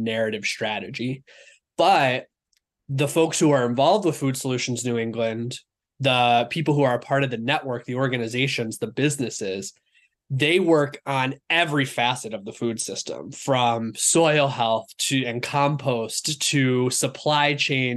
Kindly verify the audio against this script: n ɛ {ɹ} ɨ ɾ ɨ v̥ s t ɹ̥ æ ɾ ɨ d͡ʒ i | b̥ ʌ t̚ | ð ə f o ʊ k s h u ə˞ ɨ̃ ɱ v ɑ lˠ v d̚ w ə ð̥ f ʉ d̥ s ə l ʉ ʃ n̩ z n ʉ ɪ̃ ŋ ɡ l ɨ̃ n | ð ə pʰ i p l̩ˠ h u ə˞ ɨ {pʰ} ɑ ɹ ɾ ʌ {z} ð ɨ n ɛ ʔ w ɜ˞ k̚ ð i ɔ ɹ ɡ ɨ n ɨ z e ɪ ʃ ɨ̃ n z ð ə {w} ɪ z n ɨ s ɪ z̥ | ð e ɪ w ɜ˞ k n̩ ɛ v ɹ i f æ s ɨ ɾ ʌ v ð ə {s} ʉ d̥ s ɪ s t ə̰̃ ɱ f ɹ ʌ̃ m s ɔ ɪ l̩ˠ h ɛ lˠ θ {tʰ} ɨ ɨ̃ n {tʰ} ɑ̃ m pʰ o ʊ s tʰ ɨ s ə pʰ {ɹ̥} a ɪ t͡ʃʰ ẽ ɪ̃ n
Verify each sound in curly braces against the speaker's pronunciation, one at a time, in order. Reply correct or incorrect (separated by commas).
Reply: correct, correct, incorrect, incorrect, incorrect, correct, incorrect, incorrect